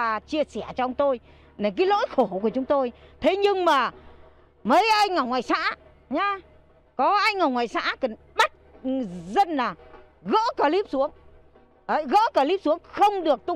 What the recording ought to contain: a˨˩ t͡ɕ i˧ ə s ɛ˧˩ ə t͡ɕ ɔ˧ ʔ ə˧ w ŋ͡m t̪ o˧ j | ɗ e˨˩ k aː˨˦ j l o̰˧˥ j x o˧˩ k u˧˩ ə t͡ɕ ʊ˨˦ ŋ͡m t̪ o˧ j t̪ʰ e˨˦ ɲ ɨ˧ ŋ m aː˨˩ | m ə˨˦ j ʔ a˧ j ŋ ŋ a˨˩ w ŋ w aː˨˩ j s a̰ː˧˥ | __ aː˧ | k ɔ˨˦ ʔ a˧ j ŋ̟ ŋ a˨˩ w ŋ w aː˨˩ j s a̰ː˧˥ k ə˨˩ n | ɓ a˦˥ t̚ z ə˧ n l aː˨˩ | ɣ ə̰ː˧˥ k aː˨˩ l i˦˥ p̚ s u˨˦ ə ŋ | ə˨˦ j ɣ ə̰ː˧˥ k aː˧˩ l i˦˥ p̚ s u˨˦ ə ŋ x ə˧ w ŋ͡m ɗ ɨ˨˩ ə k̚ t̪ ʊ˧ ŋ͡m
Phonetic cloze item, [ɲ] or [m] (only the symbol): ɲ